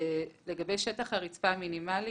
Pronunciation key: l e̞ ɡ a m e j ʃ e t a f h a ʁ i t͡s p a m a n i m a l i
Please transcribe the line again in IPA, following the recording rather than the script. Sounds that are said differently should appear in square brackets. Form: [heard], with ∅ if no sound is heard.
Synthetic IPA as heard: l e̞ ɡ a [b] e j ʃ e t a [χ] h a ʁ i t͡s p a m [i] n i m a l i